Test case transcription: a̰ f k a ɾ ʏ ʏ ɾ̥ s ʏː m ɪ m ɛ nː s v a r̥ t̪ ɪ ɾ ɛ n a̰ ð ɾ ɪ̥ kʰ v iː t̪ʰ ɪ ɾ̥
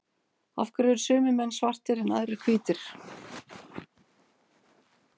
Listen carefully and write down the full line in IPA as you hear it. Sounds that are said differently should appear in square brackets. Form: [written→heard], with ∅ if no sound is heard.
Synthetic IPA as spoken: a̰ f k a ɾ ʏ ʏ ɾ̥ s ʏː m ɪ m ɛ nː s v a r̥ t̪ ɪ ɾ ɛ n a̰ ð ɾ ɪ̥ kʰ v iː [t̪ʰ→t̪] ɪ ɾ̥